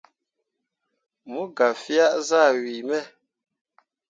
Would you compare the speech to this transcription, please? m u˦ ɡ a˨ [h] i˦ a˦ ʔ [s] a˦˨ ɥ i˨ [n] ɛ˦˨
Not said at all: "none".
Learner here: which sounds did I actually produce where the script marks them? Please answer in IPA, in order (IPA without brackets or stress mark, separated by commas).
f, z, m